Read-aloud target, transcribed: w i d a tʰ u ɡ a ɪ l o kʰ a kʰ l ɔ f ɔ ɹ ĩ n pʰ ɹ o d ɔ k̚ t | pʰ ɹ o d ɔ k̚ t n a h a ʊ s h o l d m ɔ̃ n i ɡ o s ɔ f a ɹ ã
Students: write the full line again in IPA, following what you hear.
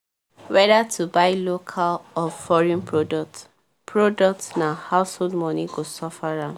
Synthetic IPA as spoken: w ɛ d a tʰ u b a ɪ l o kʰ a l ɔ f ɔ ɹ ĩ n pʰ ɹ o d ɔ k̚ t | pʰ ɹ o d ɔ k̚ t n a h a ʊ s h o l d m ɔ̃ n i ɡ o s ɔ f a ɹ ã

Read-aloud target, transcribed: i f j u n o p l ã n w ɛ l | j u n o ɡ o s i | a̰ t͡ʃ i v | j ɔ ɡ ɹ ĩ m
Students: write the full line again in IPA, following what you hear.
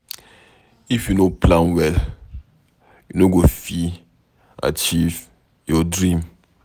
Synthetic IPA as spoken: i f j u n o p l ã n w ɛ l | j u n o ɡ o f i | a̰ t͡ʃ i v | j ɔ d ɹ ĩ m

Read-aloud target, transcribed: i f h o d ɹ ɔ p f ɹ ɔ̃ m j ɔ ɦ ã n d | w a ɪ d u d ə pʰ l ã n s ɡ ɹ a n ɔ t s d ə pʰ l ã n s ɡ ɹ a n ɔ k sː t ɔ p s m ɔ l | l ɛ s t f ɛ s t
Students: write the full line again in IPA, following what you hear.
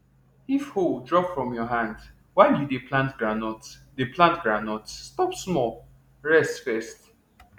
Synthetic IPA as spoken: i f h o d ɹ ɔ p f ɹ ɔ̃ m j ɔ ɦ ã n d | w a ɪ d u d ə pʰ l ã n t ɡ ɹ a n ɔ t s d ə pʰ l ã n t ɡ ɹ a n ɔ t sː t ɔ p s m ɔ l | ɹ ɛ s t f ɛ s t

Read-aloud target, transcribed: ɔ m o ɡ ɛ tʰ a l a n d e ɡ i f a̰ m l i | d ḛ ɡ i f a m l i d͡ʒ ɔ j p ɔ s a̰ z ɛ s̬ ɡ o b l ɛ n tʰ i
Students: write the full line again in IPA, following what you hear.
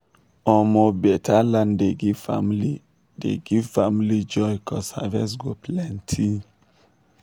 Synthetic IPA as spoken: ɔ m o b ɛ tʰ a l a n d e ɡ i f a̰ m l i | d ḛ ɡ i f a m l i d͡ʒ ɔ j k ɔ s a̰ v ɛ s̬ ɡ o p l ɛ n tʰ i

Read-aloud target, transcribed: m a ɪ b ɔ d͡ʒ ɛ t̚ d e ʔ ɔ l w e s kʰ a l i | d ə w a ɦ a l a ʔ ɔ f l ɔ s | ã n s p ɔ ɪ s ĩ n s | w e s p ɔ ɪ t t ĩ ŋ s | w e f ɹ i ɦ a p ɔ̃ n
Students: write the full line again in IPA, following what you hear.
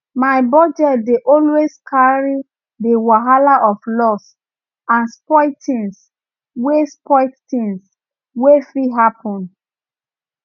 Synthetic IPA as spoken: m a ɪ b ɔ d͡ʒ ɛ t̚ d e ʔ ɔ l w e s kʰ a ɹ i | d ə w a ɦ a l a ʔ ɔ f l ɔ s | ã n s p ɔ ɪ t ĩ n s | w e s p ɔ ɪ t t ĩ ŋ s | w e f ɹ i ɦ a p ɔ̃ n

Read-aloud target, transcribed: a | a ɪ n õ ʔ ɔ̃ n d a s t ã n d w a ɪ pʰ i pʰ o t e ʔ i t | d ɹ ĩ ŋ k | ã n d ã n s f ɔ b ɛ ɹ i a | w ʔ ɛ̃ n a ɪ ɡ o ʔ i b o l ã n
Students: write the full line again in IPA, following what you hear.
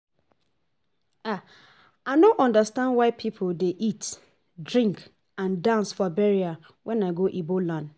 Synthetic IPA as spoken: a | a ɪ n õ ʔ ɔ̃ n d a s t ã n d w a ɪ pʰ i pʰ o d e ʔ i t | d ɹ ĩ ŋ k | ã n d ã n s f ɔ b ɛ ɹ i a | w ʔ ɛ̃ n a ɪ ɡ o ʔ i b o l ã n

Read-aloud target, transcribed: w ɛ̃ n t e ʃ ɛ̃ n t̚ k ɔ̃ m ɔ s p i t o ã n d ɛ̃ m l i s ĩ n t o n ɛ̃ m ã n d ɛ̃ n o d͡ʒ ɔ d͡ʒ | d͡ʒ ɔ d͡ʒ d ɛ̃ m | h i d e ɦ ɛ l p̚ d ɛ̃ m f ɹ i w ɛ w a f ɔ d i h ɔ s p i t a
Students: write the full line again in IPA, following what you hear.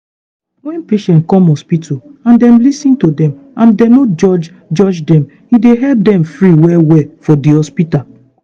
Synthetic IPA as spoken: w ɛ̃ n p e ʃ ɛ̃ n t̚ k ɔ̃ m ɔ s p i t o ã n d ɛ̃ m l i s ĩ n t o d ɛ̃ m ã n d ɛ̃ n o d͡ʒ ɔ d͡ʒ | d͡ʒ ɔ d͡ʒ d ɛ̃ m | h i d e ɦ ɛ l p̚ d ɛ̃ m f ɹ i w ɛ w ɛ f ɔ d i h ɔ s p i t a

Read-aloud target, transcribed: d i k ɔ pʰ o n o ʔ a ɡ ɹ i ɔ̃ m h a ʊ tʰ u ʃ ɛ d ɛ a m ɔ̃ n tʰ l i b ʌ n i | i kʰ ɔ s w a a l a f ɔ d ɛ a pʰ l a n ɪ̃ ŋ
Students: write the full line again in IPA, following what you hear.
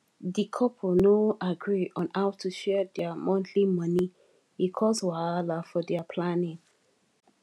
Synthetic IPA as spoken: d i kʰ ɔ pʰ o n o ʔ a ɡ ɹ i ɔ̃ n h a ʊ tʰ u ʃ ɛ d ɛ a m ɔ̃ n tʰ l i m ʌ n i | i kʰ ɔ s w a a l a f ɔ d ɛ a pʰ l a n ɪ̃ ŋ

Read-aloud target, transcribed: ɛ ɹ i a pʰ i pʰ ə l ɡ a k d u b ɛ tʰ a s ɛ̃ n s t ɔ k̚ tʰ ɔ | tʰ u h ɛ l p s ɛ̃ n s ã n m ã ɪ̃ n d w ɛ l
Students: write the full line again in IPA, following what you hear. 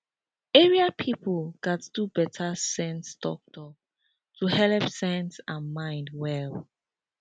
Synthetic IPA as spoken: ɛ ɹ i a pʰ i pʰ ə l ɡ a t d u b ɛ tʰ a s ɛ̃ n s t ɔ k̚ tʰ ɔ | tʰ u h ɛ l p s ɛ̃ n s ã n m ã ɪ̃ n d w ɛ l

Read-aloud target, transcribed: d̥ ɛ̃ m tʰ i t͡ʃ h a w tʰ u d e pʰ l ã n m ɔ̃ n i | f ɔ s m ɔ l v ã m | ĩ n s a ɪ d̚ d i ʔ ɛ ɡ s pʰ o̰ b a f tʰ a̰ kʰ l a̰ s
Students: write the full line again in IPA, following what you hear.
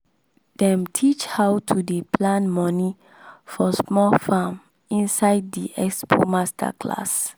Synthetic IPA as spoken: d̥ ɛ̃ m tʰ i t͡ʃ h a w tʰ u d e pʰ l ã n m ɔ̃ n i | f ɔ s m ɔ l f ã m | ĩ n s a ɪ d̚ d i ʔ ɛ k s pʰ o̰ m a s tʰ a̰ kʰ l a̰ s

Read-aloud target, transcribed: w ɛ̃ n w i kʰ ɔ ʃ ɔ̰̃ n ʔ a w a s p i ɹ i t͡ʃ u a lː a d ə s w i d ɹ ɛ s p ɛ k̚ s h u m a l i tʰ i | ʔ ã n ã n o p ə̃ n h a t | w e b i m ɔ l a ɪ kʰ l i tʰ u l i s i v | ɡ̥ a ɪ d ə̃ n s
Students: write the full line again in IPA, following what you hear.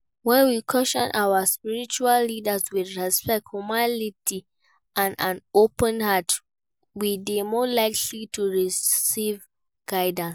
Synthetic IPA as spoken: w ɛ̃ n w i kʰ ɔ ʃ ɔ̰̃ n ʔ a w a s p i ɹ i t͡ʃ u a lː i d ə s w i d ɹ ɛ s p ɛ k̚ t h u m a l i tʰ i | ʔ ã n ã n o p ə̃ n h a t | w i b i m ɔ l a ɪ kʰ l i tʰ u ɹ i s i v | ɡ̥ a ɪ d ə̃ n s

